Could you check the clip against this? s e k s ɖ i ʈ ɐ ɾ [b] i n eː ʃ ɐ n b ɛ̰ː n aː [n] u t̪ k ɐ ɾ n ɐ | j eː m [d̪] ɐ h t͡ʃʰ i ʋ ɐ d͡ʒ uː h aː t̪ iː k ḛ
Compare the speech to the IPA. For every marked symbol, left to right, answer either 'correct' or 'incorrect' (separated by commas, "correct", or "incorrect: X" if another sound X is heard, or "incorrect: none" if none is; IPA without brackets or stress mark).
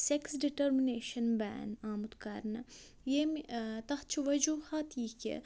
incorrect: m, incorrect: m, incorrect: t̪